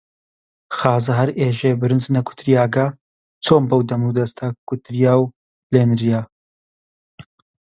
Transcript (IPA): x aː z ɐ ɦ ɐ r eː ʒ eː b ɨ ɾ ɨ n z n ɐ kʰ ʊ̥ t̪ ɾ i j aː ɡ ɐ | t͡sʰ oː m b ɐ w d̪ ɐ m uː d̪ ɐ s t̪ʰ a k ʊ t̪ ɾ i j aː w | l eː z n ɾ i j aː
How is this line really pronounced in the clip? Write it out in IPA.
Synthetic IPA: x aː z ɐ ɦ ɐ ɾ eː ʒ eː b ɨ ɾ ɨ n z n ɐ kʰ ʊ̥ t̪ ɾ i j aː ɡ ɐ | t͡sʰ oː m b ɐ w d̪ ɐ m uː d̪ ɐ s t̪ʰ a k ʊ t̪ ɾ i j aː w | l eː n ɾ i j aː